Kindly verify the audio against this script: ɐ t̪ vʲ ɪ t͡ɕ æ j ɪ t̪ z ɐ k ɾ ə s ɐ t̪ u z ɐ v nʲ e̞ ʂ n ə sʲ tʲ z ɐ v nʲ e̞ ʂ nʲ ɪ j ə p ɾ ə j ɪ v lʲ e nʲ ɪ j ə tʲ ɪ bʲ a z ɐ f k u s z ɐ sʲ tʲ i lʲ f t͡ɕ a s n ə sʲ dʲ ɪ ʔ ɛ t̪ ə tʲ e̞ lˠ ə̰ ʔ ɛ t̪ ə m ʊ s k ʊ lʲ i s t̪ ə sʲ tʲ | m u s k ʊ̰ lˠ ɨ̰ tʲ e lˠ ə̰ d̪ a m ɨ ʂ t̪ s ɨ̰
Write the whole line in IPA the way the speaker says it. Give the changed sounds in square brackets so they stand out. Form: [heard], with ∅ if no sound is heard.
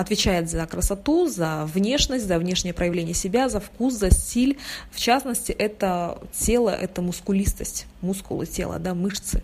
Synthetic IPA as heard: ɐ t̪ vʲ ɪ t͡ɕ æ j ɪ t̪ z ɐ k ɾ ə s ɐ t̪ u z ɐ v nʲ e̞ ʂ n ə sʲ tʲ z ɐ v nʲ e̞ ʂ nʲ ɪ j ə p ɾ ə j ɪ v lʲ e nʲ ɪ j ə [sʲ] ɪ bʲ a z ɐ f k u s z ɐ sʲ tʲ i lʲ f t͡ɕ a s n ə sʲ [tʲ] ɪ ʔ ɛ t̪ ə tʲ e̞ lˠ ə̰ ʔ ɛ t̪ ə m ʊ s k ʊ lʲ i s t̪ ə sʲ tʲ | m u s k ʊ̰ lˠ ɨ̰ tʲ e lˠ ə̰ d̪ a m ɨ ʂ t̪ s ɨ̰